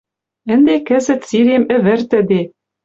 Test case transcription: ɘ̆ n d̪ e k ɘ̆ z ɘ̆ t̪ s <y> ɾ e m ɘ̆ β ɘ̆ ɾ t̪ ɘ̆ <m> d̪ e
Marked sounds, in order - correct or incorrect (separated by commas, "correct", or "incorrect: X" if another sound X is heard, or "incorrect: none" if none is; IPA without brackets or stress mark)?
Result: incorrect: i, incorrect: none